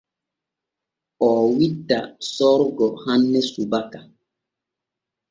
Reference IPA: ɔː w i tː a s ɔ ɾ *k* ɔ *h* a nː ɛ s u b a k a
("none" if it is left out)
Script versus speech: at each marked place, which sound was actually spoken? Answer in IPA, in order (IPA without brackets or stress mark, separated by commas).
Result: ɡ, h